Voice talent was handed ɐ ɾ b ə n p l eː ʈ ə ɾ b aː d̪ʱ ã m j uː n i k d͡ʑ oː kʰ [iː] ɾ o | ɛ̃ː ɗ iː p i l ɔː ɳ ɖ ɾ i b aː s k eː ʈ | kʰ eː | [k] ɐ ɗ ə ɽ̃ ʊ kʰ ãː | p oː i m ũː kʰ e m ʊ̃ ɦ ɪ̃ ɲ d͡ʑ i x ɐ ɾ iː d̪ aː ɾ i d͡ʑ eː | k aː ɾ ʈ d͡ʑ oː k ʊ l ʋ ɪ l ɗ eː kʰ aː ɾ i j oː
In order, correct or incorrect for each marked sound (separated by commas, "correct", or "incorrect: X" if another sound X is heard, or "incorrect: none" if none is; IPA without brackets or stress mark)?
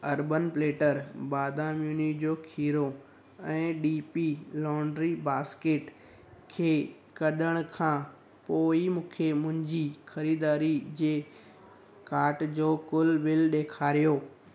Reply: correct, correct